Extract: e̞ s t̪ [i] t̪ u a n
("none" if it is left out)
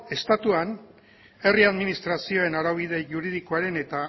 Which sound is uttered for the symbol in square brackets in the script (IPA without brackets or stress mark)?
a